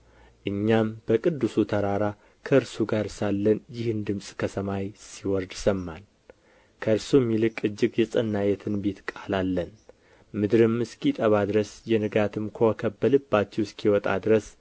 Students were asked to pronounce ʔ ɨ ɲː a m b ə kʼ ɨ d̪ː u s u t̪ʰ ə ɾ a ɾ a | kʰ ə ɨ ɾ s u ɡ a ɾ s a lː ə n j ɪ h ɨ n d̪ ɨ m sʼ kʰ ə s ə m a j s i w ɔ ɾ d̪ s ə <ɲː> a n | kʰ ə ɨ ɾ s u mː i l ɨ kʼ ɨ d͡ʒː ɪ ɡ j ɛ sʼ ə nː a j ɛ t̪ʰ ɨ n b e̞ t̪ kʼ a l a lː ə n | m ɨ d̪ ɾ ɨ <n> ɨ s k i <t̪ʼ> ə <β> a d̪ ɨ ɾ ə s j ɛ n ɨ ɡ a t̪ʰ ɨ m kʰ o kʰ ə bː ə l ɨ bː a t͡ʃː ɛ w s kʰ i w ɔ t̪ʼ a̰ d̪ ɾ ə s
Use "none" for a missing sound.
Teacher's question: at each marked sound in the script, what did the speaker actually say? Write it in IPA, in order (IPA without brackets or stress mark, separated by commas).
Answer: mː, m, t̪ʼ, β